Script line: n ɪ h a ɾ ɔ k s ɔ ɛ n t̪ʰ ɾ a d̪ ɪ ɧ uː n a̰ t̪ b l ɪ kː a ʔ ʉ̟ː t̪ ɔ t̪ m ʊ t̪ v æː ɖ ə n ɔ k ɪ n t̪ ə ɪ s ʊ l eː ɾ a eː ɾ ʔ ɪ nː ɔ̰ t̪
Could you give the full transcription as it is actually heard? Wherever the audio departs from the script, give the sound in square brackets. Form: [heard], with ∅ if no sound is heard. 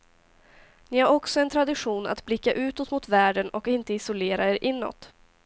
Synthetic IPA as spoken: n ɪ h a ɾ ɔ k s ɔ ɛ n t̪ʰ ɾ a d̪ ɪ ɧ uː n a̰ t̪ b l ɪ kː a ʔ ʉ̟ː t̪ ɔ t̪ m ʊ t̪ v æː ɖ ə n ɔ k ɪ n t̪ ə ɪ s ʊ l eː ɾ a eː ɾ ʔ ɪ nː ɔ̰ t̪